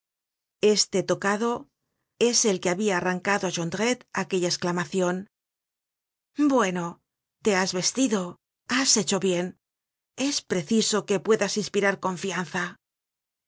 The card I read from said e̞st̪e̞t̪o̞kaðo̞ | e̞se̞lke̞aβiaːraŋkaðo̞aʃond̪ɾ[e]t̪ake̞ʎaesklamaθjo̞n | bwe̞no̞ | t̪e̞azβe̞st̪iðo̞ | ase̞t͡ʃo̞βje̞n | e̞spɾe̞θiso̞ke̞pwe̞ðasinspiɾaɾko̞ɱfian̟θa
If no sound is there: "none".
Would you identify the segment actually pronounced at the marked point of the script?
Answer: e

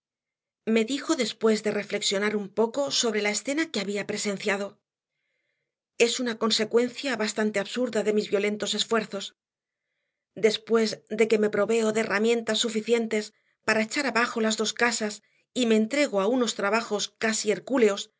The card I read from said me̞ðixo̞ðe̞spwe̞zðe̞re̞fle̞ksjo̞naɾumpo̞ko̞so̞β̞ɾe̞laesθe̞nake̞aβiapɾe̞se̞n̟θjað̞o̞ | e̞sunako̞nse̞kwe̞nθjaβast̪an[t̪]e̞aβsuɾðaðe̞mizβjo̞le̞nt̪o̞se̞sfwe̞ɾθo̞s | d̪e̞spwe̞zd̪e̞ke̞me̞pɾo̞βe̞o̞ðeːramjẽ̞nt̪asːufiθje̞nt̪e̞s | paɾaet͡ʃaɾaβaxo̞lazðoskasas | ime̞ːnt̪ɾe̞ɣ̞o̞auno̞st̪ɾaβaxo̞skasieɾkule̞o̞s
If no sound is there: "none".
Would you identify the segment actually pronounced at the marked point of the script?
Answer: t̪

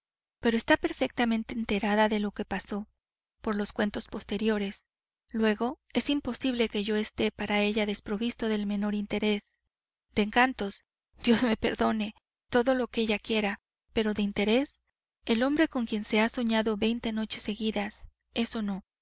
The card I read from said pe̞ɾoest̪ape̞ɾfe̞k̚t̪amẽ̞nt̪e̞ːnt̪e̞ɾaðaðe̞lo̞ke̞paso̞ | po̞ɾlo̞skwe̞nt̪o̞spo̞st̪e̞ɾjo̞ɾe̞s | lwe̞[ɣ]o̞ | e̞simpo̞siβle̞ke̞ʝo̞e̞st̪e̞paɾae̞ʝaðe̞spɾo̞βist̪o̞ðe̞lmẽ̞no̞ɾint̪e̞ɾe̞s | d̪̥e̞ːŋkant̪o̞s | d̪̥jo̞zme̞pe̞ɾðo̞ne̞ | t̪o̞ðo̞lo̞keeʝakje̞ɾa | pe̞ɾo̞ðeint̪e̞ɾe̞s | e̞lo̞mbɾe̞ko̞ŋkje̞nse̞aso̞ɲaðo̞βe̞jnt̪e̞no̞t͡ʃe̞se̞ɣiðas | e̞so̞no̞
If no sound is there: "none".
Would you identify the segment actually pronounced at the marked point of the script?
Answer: ɣ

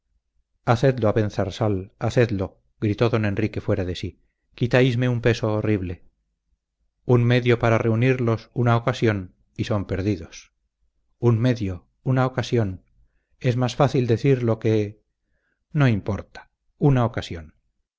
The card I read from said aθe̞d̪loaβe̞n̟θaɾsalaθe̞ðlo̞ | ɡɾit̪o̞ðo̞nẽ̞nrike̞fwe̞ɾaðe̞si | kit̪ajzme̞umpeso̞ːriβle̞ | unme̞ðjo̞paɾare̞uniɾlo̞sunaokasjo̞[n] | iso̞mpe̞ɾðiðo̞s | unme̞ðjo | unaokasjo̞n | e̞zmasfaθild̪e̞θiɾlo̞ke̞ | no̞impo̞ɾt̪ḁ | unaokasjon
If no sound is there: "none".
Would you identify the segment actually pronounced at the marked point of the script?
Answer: n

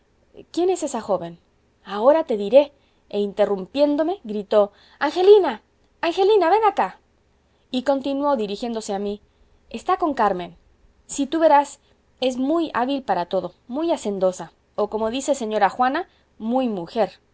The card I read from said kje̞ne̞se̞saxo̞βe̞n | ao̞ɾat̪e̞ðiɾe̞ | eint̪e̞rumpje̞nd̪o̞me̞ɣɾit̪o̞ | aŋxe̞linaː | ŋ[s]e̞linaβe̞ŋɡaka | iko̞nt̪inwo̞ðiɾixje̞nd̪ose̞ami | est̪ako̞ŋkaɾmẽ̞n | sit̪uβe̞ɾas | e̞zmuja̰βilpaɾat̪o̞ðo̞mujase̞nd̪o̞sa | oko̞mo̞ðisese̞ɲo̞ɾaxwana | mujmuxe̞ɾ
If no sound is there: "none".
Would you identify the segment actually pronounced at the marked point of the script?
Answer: x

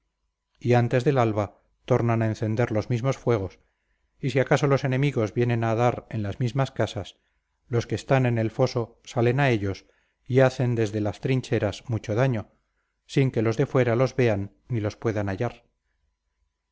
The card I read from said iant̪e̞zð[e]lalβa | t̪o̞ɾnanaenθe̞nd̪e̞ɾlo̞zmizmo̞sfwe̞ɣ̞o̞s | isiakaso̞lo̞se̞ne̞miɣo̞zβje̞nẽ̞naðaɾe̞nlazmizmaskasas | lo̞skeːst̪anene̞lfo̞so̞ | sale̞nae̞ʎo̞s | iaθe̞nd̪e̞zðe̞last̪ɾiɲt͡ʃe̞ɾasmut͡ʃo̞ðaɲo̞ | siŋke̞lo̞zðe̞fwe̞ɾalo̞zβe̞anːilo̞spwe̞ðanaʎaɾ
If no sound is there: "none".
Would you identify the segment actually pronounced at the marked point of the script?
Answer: e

